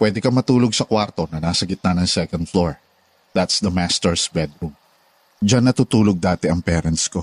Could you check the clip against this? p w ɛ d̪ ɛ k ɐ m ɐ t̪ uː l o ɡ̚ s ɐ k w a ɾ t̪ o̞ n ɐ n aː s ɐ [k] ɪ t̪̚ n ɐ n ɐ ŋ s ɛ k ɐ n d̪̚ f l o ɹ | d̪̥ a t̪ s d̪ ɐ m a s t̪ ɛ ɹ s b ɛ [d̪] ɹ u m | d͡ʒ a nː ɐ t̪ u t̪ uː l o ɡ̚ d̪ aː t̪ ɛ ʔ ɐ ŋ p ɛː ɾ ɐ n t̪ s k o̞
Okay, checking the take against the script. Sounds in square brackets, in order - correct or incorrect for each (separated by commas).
incorrect, correct